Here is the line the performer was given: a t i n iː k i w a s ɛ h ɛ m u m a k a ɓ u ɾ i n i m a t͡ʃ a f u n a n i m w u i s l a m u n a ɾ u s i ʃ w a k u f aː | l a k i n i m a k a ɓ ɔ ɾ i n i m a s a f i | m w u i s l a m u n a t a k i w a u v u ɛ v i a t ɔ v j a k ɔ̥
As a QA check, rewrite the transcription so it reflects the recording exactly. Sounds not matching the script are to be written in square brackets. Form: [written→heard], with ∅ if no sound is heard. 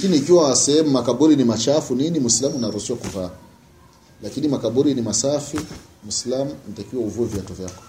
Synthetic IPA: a [t→k] i n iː k i w a s ɛ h ɛ m u m a k a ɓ u ɾ i n i m a t͡ʃ a f u n [a→i] n i m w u i s l a m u n a ɾ u s i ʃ w a k u [f→v] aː | l a k i n i m a k a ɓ [ɔ→u] ɾ i n i m a s a f i | m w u i s l a m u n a t a k i w a u v u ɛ v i a t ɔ v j a k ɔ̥